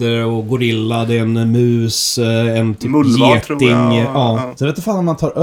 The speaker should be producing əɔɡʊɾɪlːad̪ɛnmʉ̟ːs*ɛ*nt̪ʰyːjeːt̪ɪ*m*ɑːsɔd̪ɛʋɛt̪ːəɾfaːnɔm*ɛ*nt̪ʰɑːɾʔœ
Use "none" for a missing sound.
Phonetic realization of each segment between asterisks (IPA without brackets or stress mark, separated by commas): ɛ, ŋ, a